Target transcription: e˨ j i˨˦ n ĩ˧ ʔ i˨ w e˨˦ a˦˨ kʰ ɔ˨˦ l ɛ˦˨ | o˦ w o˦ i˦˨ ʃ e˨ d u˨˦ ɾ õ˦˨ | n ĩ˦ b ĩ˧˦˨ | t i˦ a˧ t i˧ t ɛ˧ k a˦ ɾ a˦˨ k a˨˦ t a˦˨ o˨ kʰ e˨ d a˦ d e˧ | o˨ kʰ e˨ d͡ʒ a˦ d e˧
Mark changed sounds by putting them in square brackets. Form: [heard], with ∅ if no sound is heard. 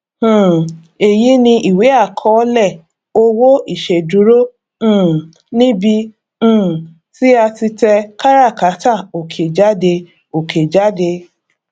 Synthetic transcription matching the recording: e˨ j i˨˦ n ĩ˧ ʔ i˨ w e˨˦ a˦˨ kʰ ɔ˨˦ l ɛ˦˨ | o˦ w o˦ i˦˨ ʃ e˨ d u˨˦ ɾ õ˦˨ | n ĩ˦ b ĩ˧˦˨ | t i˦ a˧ t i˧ t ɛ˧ k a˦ ɾ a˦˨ k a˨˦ t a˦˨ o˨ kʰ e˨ [d͡ʒ] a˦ d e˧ | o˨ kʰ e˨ d͡ʒ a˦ d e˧